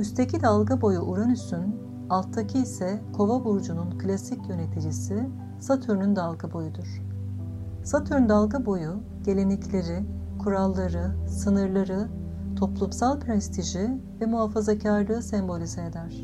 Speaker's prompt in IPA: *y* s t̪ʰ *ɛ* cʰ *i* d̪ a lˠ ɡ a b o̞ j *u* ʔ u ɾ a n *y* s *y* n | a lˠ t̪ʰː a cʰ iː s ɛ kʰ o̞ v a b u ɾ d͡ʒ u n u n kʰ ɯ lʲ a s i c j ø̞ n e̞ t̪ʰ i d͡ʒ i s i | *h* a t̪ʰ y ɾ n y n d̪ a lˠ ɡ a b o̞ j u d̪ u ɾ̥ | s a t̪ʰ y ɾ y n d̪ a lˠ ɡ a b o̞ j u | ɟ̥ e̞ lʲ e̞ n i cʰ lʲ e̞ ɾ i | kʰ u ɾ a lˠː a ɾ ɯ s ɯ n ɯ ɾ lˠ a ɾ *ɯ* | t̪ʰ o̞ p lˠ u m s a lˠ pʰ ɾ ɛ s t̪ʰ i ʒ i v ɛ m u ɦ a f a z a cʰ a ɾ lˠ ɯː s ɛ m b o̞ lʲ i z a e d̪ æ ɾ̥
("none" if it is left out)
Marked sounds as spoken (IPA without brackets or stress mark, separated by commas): y, e, i, u, y, y, s, ɯ